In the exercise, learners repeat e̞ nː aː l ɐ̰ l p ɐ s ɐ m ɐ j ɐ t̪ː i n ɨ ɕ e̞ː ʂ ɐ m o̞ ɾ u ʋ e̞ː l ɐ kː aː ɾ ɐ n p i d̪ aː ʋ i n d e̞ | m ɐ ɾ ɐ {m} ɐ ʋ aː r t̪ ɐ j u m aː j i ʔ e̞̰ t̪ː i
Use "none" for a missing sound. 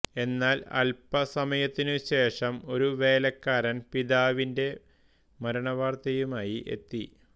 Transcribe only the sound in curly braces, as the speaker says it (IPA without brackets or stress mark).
ɳ